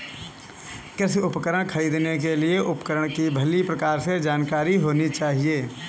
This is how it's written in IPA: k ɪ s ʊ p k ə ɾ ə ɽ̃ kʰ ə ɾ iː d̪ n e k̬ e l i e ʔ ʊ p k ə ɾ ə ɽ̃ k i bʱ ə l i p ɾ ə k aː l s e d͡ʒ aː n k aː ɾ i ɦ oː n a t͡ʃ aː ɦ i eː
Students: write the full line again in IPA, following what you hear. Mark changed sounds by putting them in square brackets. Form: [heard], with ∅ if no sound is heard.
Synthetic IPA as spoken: k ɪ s ʊ p k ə ɾ ə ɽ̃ kʰ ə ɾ iː d̪ n e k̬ e l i e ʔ ʊ p k ə ɾ ə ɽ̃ k i bʱ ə l i p ɾ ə k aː [ɾ] s e d͡ʒ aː n k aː ɾ i ɦ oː n [i] t͡ʃ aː ɦ i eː